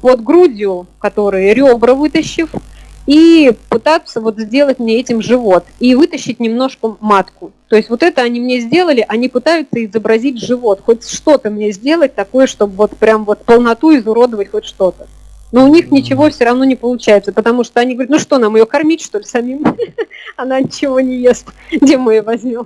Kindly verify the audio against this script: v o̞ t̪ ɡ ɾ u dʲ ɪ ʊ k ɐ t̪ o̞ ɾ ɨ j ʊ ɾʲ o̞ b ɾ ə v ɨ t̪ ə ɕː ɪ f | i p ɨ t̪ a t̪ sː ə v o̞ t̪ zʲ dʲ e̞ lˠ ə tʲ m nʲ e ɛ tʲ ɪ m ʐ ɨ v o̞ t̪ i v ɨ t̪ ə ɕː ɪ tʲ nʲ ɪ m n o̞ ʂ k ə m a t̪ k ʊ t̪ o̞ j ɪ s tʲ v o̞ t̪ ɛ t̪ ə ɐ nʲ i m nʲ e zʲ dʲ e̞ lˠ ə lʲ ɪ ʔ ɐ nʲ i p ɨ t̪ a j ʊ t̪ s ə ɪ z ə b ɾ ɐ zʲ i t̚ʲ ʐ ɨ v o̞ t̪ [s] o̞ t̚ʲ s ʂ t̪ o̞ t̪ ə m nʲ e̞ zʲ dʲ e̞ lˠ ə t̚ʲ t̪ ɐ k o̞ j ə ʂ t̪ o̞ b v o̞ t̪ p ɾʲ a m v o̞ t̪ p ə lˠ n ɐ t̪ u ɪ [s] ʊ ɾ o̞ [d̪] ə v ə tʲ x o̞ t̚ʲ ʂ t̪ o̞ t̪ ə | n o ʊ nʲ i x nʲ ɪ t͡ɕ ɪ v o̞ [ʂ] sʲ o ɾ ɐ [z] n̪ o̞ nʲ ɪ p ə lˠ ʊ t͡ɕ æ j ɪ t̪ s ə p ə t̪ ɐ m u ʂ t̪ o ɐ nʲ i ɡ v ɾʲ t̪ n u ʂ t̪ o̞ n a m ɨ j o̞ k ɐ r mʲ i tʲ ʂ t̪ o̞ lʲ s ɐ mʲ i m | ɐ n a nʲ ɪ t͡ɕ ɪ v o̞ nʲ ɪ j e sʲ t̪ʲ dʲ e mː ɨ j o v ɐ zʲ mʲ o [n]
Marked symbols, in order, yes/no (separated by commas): no, no, yes, no, no, no